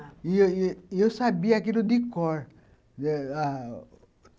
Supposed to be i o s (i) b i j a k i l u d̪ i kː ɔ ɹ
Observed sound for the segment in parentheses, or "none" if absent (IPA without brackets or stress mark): a